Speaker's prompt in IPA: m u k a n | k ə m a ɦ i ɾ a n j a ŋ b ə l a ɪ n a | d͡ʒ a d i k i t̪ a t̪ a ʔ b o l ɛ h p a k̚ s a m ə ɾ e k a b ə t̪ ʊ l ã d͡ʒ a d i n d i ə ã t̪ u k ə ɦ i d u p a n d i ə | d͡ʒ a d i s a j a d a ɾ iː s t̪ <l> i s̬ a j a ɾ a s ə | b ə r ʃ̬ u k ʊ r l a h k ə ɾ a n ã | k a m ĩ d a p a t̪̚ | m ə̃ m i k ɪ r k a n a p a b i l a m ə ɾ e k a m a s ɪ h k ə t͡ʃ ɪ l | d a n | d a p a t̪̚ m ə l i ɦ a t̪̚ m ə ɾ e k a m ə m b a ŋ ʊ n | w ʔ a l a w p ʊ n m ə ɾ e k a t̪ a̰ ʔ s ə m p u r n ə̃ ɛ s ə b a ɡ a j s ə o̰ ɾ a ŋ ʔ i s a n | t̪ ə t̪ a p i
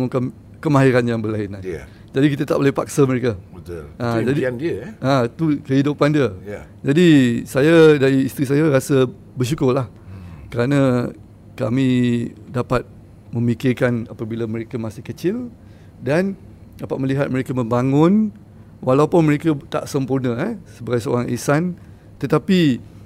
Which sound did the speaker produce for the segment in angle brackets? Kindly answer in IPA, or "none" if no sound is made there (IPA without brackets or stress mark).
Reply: ɾ